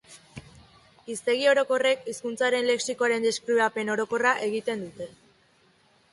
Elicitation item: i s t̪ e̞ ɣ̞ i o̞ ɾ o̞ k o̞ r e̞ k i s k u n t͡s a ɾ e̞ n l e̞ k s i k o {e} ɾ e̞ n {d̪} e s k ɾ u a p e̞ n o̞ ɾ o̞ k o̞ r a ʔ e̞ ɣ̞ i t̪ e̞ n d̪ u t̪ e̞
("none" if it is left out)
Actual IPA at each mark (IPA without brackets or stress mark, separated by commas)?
a, d̪